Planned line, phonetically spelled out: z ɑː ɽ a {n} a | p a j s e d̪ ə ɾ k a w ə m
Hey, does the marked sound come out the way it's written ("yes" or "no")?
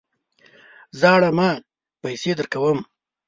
no